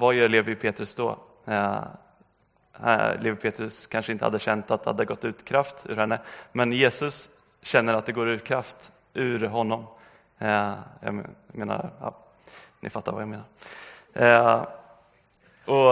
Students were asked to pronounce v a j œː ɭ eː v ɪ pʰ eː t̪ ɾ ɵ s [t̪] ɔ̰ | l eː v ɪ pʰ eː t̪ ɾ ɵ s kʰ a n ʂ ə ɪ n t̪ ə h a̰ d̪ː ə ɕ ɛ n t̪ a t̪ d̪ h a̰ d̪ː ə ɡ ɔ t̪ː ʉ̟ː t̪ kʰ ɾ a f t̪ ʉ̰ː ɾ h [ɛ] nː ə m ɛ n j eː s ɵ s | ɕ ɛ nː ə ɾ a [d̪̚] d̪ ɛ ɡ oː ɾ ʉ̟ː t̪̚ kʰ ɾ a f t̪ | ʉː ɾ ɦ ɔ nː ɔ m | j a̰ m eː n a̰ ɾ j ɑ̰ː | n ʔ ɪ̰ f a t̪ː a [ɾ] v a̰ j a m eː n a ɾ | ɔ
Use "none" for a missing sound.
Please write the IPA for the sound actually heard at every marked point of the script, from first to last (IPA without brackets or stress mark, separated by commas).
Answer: d̪, ɛ, t̪̚, ɾ